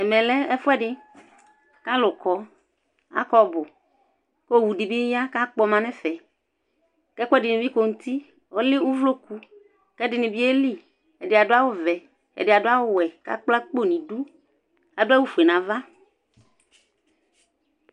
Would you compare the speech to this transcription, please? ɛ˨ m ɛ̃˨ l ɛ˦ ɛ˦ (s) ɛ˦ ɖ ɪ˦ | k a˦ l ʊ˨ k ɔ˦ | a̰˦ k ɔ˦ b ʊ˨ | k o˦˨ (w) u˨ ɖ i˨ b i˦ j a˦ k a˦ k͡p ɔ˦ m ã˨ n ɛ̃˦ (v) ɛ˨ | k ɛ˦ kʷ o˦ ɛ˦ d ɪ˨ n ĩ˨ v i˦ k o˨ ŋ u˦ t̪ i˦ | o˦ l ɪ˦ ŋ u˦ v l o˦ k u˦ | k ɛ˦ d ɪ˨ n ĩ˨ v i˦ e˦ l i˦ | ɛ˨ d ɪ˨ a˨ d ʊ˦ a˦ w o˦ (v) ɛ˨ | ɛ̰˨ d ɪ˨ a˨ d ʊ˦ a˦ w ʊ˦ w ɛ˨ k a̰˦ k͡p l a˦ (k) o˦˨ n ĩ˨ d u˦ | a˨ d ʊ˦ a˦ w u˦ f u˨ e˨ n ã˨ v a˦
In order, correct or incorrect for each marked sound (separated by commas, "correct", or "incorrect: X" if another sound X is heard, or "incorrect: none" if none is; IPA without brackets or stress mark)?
incorrect: f, correct, incorrect: f, correct, incorrect: k͡p